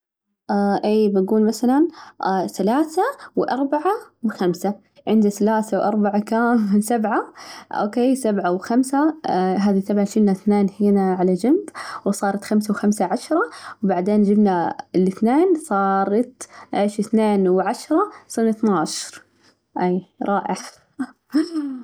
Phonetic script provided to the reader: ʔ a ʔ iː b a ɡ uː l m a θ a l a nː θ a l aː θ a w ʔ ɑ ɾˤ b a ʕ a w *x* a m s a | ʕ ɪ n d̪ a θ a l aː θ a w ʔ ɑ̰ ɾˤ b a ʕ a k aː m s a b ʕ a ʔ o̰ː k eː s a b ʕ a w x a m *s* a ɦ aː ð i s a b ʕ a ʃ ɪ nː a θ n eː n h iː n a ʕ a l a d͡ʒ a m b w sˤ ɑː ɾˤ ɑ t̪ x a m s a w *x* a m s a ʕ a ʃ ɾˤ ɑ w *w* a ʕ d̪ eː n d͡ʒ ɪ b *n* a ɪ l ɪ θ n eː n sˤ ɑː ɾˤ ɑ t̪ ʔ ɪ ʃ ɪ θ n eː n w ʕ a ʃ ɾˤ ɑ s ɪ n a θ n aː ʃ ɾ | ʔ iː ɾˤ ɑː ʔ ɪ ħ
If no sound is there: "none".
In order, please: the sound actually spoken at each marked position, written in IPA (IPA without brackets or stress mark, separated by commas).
x, s, x, b, n